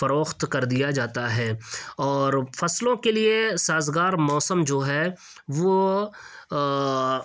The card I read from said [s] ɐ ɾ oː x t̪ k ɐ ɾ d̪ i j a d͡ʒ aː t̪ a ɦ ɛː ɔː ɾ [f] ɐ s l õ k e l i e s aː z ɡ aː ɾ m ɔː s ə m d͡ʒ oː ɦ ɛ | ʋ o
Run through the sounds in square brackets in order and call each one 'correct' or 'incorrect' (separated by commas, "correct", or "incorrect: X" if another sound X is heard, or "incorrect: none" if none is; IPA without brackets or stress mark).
incorrect: f, correct